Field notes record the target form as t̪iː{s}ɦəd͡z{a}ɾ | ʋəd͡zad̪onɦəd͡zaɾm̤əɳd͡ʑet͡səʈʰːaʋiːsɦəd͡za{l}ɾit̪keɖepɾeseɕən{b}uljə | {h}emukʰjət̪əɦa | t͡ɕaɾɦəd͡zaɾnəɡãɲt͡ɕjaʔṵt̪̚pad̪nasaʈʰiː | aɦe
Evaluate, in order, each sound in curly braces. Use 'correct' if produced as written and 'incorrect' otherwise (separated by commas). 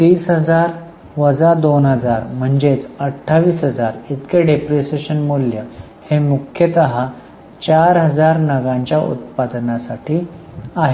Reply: correct, correct, incorrect, incorrect, correct